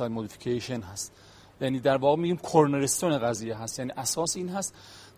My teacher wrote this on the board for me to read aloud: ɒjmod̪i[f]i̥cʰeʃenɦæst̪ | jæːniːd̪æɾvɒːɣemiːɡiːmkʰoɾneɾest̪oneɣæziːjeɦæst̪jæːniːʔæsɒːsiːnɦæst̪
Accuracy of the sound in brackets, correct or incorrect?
correct